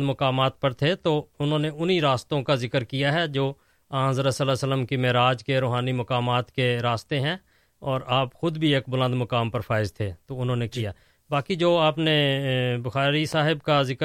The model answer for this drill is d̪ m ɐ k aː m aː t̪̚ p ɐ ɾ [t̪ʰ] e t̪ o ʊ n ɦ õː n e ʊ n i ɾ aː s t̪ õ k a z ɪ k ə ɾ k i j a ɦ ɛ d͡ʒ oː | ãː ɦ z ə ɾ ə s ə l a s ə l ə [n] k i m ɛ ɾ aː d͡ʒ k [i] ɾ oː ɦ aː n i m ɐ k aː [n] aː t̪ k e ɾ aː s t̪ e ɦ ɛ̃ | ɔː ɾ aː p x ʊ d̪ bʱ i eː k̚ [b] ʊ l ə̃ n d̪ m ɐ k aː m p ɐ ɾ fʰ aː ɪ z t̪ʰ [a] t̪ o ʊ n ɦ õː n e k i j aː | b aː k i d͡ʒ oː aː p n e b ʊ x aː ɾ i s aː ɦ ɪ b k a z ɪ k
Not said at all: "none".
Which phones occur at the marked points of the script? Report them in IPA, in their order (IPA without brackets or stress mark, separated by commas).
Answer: t̪ʰ, m, e, m, b, e